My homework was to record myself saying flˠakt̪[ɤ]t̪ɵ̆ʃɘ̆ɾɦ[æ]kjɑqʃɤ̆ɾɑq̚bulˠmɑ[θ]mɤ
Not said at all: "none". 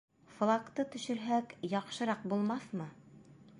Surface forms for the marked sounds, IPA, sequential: ɤ, æ, θ

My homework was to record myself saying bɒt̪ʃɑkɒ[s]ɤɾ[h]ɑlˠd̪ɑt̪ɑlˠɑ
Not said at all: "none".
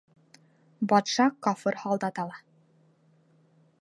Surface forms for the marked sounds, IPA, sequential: f, h

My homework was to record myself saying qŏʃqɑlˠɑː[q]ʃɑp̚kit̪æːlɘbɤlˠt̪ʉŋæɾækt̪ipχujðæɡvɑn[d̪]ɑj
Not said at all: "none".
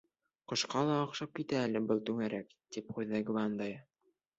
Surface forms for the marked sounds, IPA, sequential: q, d̪

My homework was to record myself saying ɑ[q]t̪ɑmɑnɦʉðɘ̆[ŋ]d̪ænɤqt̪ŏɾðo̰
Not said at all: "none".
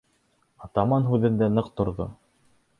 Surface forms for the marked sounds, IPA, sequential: none, n

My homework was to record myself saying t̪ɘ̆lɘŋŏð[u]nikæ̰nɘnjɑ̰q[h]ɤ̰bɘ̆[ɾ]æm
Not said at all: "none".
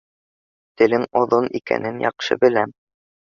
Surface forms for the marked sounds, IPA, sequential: o, ʃ, l

